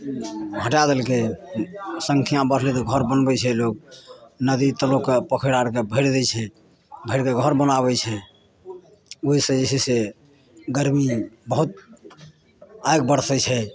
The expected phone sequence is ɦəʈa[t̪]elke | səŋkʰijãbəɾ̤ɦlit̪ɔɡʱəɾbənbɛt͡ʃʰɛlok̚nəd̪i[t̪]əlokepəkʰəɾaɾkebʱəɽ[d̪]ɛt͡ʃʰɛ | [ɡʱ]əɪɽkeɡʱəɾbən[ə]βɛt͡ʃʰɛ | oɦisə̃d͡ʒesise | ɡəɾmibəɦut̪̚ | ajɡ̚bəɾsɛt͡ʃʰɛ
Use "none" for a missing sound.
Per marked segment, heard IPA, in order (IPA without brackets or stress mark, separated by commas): d̪, t̪, d̪, bʱ, a